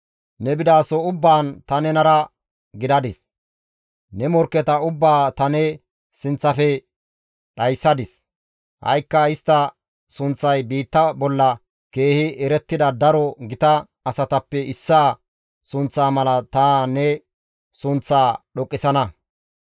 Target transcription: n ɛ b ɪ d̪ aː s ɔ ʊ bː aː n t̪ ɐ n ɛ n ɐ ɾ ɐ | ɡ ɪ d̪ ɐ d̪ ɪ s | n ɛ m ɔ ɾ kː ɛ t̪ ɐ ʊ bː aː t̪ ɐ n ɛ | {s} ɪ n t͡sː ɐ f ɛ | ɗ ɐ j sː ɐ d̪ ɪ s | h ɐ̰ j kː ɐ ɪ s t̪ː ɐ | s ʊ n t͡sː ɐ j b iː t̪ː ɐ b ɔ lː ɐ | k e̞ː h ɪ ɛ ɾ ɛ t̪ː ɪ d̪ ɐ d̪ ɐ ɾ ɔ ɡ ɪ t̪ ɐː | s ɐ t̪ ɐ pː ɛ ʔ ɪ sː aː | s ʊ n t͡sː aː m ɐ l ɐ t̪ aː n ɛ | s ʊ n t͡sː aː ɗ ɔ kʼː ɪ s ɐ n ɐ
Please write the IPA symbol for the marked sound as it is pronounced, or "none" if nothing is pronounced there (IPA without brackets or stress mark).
s